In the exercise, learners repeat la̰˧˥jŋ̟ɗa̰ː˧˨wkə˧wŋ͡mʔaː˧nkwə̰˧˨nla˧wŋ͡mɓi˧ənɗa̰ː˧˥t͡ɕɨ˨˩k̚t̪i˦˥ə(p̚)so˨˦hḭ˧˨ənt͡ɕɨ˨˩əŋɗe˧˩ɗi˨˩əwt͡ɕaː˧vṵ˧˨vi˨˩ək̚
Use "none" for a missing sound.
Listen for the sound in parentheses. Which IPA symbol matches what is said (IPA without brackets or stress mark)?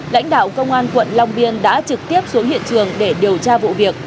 p̚